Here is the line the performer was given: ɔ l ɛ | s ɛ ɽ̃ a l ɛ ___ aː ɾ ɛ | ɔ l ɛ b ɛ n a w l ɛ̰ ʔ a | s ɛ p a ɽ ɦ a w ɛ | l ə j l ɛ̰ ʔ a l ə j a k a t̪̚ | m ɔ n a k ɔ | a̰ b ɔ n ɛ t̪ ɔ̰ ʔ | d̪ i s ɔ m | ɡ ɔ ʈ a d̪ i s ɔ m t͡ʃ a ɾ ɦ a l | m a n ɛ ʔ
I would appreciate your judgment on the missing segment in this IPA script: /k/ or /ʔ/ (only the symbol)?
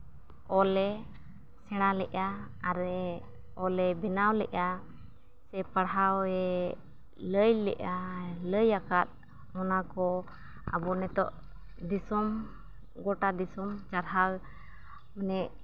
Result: ʔ